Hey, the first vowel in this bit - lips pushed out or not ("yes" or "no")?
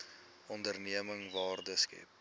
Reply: yes